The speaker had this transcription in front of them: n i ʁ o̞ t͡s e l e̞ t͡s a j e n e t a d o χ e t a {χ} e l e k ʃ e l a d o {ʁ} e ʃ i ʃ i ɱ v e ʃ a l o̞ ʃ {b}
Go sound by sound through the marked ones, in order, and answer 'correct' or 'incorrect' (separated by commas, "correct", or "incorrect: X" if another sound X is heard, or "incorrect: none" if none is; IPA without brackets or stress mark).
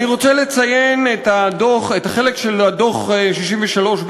correct, incorrect: χ, correct